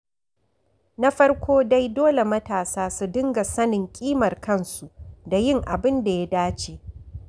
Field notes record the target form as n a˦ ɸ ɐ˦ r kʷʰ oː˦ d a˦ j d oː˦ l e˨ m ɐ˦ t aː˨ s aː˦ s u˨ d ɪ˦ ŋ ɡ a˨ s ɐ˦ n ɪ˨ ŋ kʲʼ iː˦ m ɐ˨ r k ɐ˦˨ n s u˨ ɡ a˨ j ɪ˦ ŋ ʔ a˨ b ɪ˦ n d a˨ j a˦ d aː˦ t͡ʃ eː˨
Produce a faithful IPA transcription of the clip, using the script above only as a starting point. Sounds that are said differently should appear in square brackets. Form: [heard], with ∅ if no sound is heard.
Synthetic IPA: n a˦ ɸ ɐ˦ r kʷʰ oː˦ d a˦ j d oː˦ l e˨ m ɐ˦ t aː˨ s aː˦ s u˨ d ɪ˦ ŋ ɡ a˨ s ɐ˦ n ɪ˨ ŋ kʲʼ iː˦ m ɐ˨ r k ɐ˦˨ n s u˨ [d] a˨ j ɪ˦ ŋ ʔ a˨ b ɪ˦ n d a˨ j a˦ d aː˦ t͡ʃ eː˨